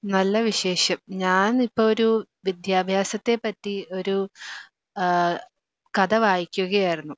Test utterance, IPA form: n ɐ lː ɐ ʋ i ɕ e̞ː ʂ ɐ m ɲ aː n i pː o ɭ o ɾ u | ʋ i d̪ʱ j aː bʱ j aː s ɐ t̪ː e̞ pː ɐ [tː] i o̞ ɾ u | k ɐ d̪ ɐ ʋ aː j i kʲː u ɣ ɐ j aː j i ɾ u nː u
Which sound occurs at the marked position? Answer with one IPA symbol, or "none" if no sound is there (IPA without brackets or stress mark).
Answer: tː